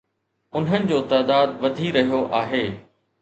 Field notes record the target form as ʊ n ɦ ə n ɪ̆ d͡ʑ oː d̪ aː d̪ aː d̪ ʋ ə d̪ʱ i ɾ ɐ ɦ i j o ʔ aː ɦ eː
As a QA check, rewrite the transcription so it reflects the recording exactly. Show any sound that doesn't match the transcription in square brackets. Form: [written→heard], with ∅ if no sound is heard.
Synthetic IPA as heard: ʊ n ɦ ə n ɪ̆ d͡ʑ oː [d̪→t̪] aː d̪ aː d̪ ʋ [ə→ɐ] d̪ʱ i ɾ ɐ ɦ i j o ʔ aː ɦ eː